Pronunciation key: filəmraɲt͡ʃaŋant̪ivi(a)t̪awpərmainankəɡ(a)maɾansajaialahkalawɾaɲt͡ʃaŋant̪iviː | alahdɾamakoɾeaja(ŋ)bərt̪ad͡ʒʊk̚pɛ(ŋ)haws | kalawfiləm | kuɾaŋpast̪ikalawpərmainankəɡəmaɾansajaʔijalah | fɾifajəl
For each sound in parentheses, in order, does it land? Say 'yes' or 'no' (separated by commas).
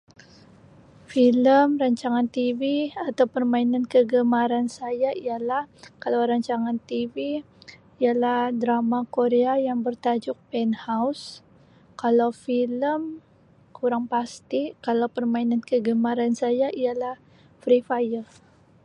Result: yes, no, yes, no